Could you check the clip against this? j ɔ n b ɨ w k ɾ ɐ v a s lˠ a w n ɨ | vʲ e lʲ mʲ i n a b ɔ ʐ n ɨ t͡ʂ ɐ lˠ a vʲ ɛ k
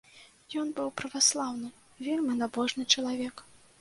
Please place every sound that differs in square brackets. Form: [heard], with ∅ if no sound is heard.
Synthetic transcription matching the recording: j ɔ n b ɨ w [p] ɾ ɐ v a s lˠ a w n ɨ | vʲ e lʲ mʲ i n a b ɔ ʐ n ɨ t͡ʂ ɐ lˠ a vʲ ɛ k